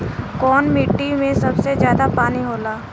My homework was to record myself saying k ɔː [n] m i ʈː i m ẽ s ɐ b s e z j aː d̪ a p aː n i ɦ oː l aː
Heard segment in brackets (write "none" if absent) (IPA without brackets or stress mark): n